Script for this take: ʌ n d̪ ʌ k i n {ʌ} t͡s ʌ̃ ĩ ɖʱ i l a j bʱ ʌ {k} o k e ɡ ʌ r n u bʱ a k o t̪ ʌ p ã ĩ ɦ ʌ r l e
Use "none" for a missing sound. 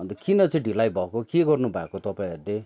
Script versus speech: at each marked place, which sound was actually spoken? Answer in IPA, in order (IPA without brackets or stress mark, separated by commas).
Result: ʌ, k